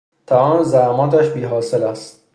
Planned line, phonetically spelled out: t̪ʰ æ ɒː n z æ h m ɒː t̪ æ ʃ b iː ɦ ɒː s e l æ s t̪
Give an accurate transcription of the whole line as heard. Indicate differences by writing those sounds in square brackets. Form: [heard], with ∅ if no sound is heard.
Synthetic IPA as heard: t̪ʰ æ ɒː n z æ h m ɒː t̪ æ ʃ b iː ɦ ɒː s e l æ s t̪